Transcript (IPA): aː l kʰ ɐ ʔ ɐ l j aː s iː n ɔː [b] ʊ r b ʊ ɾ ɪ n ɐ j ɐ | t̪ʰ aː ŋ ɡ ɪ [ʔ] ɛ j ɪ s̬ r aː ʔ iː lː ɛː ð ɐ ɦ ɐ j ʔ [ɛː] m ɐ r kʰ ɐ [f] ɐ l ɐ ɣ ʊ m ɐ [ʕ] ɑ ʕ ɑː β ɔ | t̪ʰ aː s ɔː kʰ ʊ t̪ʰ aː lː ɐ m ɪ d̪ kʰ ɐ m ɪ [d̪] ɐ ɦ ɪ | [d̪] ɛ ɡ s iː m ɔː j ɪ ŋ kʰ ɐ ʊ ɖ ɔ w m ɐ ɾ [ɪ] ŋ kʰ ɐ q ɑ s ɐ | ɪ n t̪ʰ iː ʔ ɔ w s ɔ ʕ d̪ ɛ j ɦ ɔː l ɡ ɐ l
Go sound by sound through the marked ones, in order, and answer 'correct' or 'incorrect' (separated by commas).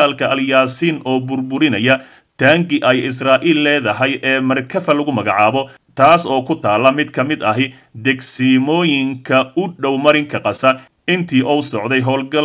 correct, correct, correct, correct, incorrect, correct, correct, correct